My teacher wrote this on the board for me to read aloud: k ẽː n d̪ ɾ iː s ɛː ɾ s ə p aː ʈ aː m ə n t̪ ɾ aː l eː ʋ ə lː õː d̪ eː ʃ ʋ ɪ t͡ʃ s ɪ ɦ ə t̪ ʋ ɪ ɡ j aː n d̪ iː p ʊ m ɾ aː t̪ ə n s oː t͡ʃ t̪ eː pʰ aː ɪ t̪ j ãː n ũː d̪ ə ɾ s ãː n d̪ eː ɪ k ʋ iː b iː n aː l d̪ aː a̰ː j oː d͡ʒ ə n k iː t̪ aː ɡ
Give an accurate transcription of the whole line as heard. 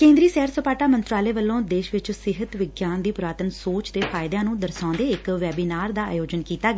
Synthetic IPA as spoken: k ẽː n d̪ ɾ iː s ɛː ɾ s ə p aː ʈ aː m ə n t̪ ɾ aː l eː ʋ ə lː õː d̪ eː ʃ ʋ ɪ t͡ʃ s ɪ ɦ ə t̪ ʋ ɪ ɡ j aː n d̪ iː p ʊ ɾ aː t̪ ə n s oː t͡ʃ t̪ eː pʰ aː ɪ d̪ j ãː n ũː d̪ ə ɾ s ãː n d̪ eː ɪ k ʋ ɛː b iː n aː ɾ d̪ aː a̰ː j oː d͡ʒ ə n k iː t̪ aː ɡ